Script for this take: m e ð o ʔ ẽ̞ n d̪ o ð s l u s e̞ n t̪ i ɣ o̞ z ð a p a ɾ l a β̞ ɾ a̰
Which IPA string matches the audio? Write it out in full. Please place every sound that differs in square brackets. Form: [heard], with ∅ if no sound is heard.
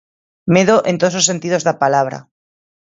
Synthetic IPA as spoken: m e ð o ʔ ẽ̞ n [t̪] o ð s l [o] s e̞ n t̪ i [ð] o̞ z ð a p a [∅] l a β̞ ɾ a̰